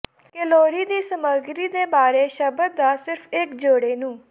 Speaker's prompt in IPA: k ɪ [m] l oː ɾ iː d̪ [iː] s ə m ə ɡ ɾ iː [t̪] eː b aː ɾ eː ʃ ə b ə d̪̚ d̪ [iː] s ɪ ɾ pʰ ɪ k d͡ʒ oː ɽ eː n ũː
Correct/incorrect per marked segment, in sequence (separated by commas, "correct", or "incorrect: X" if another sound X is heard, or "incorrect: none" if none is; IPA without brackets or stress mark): incorrect: none, correct, incorrect: d̪, incorrect: aː